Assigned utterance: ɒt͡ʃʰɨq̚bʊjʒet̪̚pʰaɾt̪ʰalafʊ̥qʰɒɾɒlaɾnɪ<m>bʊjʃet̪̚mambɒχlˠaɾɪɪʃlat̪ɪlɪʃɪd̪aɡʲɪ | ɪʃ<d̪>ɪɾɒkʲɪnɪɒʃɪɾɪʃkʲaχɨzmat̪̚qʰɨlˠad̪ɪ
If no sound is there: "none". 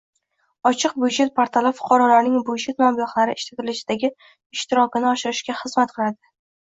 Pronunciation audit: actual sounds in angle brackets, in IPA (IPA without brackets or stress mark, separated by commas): ŋ, t̪